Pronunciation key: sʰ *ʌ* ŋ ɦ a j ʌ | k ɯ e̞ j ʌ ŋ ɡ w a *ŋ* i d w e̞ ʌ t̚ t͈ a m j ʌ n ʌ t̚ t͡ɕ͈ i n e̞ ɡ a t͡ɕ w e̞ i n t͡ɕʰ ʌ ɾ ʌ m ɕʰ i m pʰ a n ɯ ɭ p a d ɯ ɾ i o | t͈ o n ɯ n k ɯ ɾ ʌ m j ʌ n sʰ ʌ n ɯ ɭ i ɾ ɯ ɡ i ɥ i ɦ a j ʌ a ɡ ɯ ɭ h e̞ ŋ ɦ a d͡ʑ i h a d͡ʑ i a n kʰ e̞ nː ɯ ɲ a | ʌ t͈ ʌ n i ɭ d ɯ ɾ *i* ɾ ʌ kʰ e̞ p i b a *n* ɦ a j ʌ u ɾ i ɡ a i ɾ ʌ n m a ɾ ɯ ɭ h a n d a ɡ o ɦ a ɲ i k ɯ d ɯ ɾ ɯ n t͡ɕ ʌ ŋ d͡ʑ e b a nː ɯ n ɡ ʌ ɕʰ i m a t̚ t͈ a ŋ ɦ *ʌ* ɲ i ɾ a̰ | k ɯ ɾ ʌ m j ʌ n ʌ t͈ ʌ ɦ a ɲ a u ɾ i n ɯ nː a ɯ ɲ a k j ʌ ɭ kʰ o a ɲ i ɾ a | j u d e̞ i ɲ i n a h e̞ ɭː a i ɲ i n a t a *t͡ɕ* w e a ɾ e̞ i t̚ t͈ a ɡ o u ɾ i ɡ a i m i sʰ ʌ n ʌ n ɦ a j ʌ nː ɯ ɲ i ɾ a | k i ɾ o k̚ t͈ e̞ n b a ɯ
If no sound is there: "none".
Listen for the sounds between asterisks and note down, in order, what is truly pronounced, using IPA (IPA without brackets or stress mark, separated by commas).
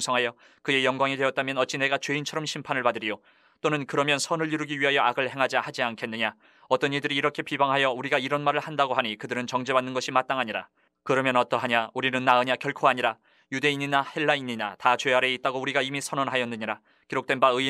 ʌ, ŋ, iː, ŋ, a, t͡ɕ